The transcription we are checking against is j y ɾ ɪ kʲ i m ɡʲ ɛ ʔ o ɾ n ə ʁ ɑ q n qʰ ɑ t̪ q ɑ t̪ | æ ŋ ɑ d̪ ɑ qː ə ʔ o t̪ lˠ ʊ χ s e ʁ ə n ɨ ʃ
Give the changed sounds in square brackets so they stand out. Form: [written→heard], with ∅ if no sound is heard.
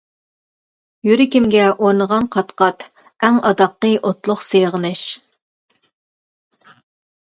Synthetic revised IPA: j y ɾ ɪ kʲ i m ɡʲ ɛ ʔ o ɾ n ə ʁ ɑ [q→∅] n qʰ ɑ t̪ q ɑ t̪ | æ ŋ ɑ d̪ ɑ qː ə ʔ o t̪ lˠ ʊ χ s e ʁ ə n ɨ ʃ